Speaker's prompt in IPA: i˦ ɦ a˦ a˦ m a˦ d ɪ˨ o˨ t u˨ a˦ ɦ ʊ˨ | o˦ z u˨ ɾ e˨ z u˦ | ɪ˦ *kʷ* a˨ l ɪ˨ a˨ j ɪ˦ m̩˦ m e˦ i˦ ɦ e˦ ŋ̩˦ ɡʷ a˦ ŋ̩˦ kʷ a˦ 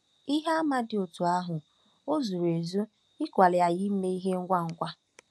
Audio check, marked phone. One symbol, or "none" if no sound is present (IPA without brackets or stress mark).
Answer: kʷ